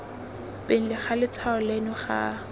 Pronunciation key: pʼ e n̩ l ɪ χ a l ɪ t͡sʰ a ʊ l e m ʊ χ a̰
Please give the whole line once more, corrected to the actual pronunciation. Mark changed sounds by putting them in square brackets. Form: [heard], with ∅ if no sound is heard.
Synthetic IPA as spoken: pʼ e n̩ l ɪ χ a l ɪ t͡sʰ a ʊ l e [n] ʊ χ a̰